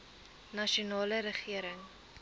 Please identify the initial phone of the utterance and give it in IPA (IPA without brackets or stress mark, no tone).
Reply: n